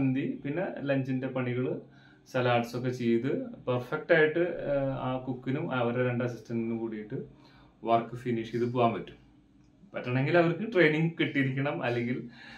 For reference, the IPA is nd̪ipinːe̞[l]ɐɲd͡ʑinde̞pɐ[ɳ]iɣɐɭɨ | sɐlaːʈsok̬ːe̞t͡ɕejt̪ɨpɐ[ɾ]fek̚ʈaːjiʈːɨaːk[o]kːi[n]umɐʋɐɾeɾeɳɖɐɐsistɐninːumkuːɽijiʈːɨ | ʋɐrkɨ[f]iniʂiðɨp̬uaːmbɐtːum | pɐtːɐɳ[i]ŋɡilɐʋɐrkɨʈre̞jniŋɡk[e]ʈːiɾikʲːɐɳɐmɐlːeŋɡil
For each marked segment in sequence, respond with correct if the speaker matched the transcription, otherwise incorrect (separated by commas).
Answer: correct, correct, incorrect, incorrect, correct, correct, incorrect, incorrect